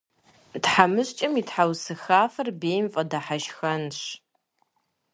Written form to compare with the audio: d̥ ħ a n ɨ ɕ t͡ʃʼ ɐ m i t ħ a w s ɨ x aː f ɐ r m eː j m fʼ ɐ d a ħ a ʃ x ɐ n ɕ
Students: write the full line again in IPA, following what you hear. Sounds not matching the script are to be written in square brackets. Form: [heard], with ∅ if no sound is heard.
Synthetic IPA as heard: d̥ ħ a [m] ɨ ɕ t͡ʃʼ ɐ m i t ħ a w s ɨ x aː f ɐ r [b] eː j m fʼ ɐ d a ħ a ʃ x ɐ n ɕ